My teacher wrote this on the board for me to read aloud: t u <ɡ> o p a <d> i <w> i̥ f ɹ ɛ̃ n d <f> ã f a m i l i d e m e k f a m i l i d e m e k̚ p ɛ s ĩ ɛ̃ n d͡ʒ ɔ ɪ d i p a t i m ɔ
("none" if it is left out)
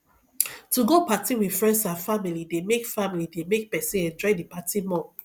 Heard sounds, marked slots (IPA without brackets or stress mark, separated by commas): ɡ, t, w, s